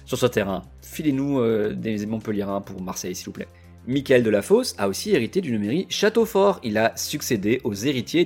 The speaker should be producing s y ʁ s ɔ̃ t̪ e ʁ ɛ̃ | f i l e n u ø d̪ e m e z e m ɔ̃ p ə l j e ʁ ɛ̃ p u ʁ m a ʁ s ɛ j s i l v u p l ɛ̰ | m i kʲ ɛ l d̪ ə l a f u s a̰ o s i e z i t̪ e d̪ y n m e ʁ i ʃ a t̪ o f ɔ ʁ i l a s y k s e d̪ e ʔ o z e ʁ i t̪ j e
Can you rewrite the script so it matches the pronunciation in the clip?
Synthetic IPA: s y ʁ s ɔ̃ t̪ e ʁ ɛ̃ | f i l e n u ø d̪ e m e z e m ɔ̃ p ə l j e ʁ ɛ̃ p u ʁ m a ʁ s ɛ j s i l v u p l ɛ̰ | m i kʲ ɛ l d̪ ə l a f o s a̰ o s i e ʁ i t̪ e d̪ y n m e ʁ i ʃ a t̪ o f ɔ ʁ i l a s y k s e d̪ e ʔ o z e ʁ i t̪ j e